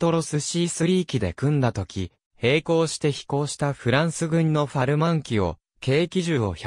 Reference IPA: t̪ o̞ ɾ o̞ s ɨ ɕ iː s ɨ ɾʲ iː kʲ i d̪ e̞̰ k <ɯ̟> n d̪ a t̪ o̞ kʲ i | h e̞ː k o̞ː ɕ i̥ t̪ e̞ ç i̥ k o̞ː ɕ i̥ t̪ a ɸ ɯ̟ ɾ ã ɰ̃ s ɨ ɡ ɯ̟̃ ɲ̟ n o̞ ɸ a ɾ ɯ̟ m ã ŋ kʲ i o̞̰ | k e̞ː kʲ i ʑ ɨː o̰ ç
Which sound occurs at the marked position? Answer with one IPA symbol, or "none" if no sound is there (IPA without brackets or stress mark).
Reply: ɯ̟̃